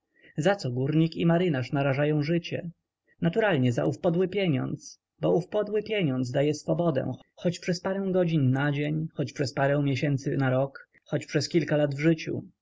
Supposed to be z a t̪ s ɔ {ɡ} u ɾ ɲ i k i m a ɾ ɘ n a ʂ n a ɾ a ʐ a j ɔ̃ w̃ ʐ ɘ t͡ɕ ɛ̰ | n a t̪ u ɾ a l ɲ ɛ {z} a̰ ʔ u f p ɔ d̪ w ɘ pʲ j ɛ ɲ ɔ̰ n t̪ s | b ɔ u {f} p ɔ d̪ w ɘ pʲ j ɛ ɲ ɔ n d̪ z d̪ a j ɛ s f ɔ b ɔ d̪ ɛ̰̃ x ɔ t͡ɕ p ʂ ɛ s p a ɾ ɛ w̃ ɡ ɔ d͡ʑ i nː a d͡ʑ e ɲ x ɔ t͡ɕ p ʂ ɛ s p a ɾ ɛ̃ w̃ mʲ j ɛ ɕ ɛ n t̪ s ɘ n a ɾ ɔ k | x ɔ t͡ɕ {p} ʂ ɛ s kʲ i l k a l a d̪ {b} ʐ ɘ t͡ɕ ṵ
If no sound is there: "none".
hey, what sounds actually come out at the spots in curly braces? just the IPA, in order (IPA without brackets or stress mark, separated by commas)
ɡ, z, f, p, v